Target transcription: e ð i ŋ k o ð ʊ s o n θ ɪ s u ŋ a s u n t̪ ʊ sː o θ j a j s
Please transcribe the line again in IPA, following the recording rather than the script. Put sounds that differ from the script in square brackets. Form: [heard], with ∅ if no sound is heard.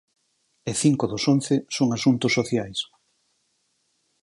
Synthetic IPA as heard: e [θ] i ŋ k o ð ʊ s o n θ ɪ s [o] ŋ a s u n t̪ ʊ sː o θ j a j s